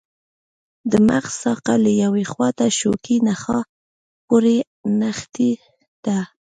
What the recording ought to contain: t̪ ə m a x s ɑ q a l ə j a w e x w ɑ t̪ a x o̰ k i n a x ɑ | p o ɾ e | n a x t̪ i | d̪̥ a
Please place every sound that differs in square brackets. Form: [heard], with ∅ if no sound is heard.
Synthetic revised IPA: [d̪] ə m a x s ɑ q a l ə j a w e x w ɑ t̪ a [ʃ] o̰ k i n a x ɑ | p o ɾ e | n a x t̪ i | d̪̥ a

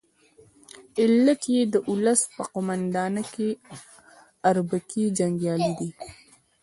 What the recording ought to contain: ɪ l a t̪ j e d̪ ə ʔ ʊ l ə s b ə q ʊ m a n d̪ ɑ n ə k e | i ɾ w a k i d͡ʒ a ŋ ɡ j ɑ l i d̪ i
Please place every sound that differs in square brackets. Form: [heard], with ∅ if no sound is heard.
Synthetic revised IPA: ɪ l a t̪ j e d̪ ə ʔ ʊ l ə s [p] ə q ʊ m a n d̪ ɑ n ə k e | [a] ɾ [b] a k i d͡ʒ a ŋ ɡ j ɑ l i d̪ i

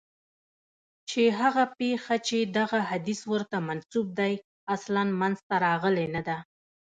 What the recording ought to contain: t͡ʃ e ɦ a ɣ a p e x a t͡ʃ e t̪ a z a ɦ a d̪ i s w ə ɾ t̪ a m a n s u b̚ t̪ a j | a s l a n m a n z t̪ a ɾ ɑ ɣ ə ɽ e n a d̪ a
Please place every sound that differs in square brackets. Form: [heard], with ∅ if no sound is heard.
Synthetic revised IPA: t͡ʃ e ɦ a ɣ a p e x a t͡ʃ e [d̪] a [ɣ] a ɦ a d̪ i s w ə ɾ t̪ a m a n s u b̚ [d̪] a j | a s l a n m a n z t̪ a ɾ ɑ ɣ ə [l] e n a d̪ a

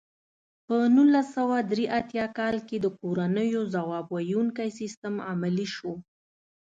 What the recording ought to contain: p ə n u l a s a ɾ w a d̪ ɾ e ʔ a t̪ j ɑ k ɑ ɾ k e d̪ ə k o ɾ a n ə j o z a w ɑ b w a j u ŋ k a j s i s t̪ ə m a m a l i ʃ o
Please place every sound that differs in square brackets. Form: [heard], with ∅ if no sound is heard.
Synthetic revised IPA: p ə n u l a s a [∅] w a d̪ ɾ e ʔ a t̪ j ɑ k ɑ [l] k e d̪ ə k o ɾ a n ə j o z a w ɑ b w a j u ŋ k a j s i s t̪ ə m a m a l i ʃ o

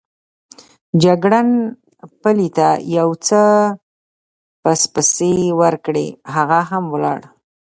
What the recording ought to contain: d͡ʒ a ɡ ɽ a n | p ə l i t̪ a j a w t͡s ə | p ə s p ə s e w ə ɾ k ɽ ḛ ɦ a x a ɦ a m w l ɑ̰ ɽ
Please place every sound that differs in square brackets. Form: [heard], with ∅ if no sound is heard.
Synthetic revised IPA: d͡ʒ a ɡ ɽ a n | p ə l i t̪ a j a w t͡s ə | p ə s p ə s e w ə ɾ k ɽ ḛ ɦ a [ɣ] a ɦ a m w l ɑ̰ ɽ

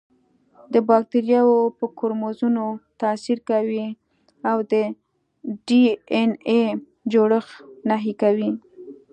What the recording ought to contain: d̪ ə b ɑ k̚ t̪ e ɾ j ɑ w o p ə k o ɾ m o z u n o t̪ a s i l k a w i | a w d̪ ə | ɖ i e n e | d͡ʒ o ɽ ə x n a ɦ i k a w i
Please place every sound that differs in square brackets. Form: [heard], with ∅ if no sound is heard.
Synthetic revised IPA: d̪ ə b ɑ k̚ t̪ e ɾ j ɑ w o p ə k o ɾ m o z u n o t̪ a s i [ɾ] k a w i | a w d̪ ə | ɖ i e n e | d͡ʒ o ɽ ə x n a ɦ i k a w i

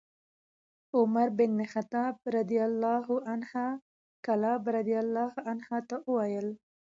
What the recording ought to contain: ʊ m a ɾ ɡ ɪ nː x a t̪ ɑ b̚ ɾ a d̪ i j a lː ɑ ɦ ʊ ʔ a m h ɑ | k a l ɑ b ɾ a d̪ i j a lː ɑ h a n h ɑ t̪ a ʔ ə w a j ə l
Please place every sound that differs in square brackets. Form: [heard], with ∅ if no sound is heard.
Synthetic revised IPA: ʊ m a ɾ [b] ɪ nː x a t̪ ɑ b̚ ɾ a d̪ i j a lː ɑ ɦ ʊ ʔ a [n] h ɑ | k a l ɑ b ɾ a d̪ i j a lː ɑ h a n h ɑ t̪ a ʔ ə w a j ə l

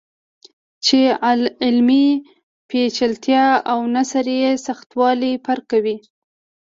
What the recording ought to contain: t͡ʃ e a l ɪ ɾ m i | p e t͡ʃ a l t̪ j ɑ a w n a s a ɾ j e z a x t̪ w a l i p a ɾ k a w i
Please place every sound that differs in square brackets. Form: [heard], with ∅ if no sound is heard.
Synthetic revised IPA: t͡ʃ e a l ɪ [l] m i | p e t͡ʃ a l t̪ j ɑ a w n a s a ɾ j e [s] a x t̪ w [ɑ] l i p a ɾ k a w i

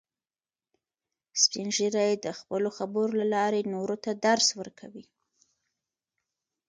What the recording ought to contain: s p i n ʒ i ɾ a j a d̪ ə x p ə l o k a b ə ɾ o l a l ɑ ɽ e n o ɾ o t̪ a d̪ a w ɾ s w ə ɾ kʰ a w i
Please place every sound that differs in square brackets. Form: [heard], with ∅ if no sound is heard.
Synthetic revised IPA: s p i n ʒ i ɾ a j [e] d̪ ə x p ə l o [x] a b ə ɾ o l a l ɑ [ɾ] e n o ɾ o t̪ a d̪ a [∅] ɾ s w ə ɾ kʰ a w i

